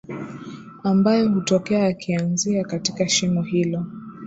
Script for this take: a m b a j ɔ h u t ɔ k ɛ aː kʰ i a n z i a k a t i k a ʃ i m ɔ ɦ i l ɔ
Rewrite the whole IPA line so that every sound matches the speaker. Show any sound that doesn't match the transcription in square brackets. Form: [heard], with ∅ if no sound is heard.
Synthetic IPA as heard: a m b a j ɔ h u t ɔ k ɛ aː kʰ i a n z i a k a t i k a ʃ i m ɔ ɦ i l ɔ